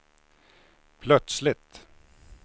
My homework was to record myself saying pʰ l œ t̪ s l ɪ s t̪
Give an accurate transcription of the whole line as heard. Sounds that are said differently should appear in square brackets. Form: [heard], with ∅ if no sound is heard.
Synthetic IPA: pʰ l œ t̪ s l ɪ [∅] t̪